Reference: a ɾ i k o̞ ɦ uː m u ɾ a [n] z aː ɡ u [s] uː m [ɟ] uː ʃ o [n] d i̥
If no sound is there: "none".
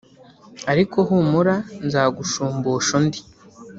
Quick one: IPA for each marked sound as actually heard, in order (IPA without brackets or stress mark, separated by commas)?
n, ʃ, b, n